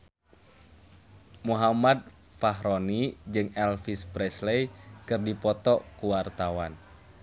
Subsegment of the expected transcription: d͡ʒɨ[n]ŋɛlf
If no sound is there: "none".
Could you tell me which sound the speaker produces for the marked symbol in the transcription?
none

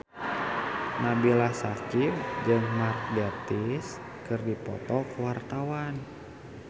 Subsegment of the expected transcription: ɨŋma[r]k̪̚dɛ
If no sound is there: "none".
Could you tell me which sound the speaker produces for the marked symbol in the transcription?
r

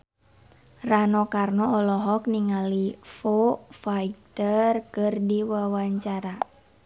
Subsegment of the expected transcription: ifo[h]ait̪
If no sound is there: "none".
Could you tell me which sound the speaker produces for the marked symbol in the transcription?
f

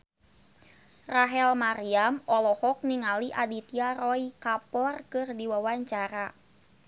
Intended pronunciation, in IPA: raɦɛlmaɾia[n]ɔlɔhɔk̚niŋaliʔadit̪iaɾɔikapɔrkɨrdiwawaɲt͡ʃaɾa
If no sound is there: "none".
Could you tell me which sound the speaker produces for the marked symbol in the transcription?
m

